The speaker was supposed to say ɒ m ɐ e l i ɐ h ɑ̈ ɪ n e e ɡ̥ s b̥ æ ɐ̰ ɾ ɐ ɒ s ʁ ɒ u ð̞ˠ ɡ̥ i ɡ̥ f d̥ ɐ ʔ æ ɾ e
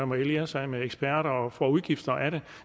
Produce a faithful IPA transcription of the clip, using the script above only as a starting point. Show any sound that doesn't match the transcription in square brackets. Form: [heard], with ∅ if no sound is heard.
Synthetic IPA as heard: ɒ m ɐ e l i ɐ [s] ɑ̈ ɪ [m] e e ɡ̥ s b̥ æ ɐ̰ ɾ ɐ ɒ [f] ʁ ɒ u ð̞ˠ ɡ̥ i [∅] f d̥ ɐ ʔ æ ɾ e